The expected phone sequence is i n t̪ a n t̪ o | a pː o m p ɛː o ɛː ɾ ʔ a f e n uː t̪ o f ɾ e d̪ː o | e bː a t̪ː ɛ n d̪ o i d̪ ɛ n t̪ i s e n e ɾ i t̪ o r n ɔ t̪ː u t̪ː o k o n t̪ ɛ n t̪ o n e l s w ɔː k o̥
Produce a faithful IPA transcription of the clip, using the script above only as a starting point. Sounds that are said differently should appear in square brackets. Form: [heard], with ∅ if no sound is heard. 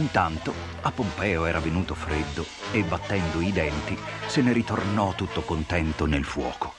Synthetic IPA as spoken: i n t̪ a n t̪ o | a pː o m p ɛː o ɛː ɾ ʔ a [v] e n uː t̪ o f ɾ e d̪ː o | e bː a t̪ː ɛ n d̪ o i d̪ ɛ n t̪ i s e n e ɾ i t̪ o r n ɔ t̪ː u t̪ː o k o n t̪ ɛ n t̪ o n e l [f] w ɔː k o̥

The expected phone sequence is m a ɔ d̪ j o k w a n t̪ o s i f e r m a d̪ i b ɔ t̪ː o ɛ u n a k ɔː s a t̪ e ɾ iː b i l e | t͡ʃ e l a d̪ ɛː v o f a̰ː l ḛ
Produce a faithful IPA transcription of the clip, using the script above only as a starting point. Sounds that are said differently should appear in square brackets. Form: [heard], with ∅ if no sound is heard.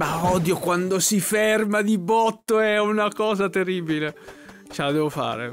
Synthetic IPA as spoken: m a ɔ d̪ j o k w a n [d̪] o s i f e r m a d̪ i b ɔ t̪ː o ɛ u n a k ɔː [z] a t̪ e [r] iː b i l e | t͡ʃ e l a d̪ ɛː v o f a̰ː [ɾ] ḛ

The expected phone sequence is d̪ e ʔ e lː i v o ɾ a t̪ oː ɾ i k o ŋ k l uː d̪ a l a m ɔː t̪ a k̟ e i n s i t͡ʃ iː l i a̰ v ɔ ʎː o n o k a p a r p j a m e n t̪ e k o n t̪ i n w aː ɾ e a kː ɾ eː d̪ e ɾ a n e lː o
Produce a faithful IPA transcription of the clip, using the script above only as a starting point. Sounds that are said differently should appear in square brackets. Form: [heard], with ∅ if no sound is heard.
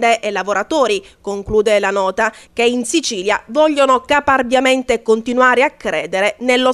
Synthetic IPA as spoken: d̪ e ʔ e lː [a] v o ɾ a t̪ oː ɾ i k o ŋ k l uː d̪ [e] l a [n] ɔː t̪ a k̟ e i n s i t͡ʃ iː l [j] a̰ v ɔ ʎː o n o k a p a r [b] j a m e n t̪ e k o n t̪ i n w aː ɾ e a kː ɾ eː d̪ e ɾ [e] n e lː o

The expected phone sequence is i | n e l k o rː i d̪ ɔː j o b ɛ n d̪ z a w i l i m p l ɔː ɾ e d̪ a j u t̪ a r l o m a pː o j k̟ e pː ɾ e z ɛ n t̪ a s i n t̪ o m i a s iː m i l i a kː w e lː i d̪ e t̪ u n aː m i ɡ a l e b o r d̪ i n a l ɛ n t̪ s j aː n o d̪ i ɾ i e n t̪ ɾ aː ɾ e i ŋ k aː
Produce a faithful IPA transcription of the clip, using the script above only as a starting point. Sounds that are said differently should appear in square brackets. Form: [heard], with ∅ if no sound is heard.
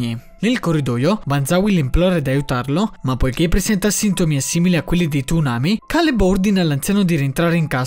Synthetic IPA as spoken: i | n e l k o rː i d̪ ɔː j o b [a] n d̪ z a w i l i m p l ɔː ɾ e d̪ a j u t̪ a r l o m a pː o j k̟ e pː ɾ e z ɛ n t̪ a s i n t̪ o m i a s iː m i l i a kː w e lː i d̪ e t̪ u n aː m i [k] a l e b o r d̪ i n a l [a] n t̪ s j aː n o d̪ i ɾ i e n t̪ ɾ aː ɾ e i ŋ k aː

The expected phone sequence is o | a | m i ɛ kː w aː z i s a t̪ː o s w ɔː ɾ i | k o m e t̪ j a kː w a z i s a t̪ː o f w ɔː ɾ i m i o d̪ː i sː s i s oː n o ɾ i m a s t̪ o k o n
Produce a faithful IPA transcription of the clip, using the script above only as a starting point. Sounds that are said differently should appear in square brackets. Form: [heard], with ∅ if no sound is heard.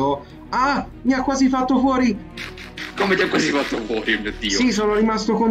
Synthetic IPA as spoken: o | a | m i [a] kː w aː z i [f] a t̪ː o [f] w ɔː ɾ i | k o m e t̪ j a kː w a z i [f] a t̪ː o f w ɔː ɾ i m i o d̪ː i sː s i s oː n o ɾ i m a s t̪ o k o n

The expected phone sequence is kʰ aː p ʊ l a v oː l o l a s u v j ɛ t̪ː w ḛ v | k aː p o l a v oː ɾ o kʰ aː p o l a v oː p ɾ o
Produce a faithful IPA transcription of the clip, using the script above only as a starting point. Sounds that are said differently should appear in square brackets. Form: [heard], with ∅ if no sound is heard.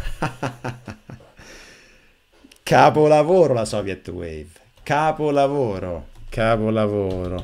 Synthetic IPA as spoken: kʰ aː p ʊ l a v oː [ɾ] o l a s [ɔ] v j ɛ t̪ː w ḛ v | k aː p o l a v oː ɾ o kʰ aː p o l a v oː [∅] ɾ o

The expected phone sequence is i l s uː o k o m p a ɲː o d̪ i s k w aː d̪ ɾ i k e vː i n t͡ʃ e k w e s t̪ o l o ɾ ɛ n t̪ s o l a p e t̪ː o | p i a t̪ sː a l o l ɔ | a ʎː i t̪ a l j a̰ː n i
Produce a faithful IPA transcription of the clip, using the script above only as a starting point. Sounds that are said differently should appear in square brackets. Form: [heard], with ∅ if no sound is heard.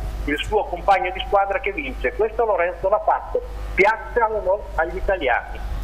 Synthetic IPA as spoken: i l s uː o k o m p a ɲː o d̪ i s k w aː d̪ ɾ [a] k e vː i n t͡ʃ e k w e s t̪ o l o ɾ ɛ n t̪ s o l a p [a] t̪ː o | p [j] a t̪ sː a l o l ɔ | a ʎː i t̪ a l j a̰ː n i

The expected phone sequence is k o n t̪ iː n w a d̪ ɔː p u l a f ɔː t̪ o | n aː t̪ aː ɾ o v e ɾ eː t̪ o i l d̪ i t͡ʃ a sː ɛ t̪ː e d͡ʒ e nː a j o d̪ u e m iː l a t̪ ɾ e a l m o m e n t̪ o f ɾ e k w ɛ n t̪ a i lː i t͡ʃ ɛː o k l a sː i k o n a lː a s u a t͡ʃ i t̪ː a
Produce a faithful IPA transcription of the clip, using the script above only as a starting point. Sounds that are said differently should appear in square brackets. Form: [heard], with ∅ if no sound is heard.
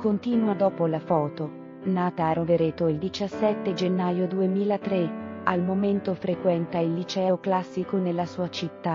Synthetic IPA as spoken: k o n t̪ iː n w a d̪ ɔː p [o] l a f ɔː t̪ o | n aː t̪ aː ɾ o v e ɾ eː t̪ o i l d̪ i t͡ʃ a sː ɛ t̪ː e d͡ʒ e nː a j o d̪ u e m iː l a t̪ ɾ e a l m o m e n t̪ o f ɾ e k w ɛ n t̪ a i lː i t͡ʃ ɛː o k l a sː i k o n [e] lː a s [uː] a t͡ʃ i t̪ː a

